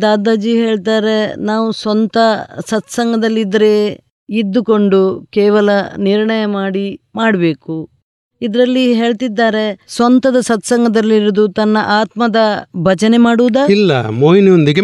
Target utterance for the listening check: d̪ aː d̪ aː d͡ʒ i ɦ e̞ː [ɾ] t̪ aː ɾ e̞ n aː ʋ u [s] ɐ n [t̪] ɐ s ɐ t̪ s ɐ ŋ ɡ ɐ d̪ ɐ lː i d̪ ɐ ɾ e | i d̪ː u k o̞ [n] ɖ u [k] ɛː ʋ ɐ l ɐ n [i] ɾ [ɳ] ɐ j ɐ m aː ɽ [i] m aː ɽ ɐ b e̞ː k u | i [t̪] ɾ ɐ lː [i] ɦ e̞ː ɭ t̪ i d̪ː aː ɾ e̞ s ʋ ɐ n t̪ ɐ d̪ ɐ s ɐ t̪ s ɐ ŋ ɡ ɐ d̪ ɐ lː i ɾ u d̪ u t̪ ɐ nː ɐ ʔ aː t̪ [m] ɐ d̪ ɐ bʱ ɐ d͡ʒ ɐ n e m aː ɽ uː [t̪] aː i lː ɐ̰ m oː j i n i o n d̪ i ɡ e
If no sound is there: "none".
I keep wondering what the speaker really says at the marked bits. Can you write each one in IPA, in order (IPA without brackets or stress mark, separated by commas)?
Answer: ɭ, s, t̪, ɳ, k, i, ɳ, i, d̪, i, m, d̪